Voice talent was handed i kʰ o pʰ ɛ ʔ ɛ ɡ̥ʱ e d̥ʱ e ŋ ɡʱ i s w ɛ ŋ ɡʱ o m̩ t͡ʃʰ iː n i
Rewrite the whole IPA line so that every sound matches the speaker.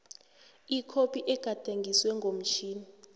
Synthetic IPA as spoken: i kʰ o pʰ i ʔ ɛ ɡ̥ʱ a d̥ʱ e ŋ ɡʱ i s w ɛ ŋ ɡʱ o m̩ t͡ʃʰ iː n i